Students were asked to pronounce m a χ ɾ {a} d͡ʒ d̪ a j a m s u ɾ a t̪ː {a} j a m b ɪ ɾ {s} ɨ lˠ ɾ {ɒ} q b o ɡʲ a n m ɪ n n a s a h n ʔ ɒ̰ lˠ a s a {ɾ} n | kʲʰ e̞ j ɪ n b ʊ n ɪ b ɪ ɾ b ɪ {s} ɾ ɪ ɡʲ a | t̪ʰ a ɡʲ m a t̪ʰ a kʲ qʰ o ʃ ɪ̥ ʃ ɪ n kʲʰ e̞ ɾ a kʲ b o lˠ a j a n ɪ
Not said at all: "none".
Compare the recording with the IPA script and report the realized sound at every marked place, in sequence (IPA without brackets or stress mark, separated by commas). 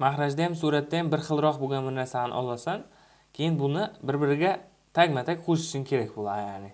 a, a, χ, ɒ, none, none